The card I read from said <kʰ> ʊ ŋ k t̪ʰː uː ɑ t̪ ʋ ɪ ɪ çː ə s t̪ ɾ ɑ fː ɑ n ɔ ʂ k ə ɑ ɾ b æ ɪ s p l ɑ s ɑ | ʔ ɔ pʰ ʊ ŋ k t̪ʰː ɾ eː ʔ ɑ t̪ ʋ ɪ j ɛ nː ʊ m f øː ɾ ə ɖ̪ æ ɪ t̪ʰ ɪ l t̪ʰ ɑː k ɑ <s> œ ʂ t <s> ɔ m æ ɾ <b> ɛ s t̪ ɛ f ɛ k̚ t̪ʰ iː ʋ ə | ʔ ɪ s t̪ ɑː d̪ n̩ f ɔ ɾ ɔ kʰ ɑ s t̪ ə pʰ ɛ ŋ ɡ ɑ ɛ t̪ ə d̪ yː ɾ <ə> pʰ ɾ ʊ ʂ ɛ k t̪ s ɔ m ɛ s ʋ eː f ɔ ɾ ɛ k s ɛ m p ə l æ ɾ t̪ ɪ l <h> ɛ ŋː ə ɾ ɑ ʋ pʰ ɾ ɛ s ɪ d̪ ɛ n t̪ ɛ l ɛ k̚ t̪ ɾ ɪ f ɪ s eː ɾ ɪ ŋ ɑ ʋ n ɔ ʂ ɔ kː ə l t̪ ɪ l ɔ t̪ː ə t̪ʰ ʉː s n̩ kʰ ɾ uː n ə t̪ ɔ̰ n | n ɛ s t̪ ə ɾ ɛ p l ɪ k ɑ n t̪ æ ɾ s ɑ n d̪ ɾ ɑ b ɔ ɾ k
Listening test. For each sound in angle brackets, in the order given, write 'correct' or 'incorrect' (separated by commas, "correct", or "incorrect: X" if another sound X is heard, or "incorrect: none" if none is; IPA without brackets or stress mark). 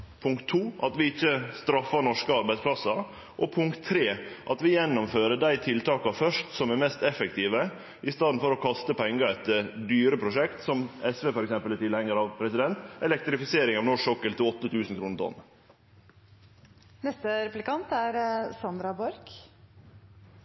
incorrect: pʰ, incorrect: f, correct, incorrect: m, correct, correct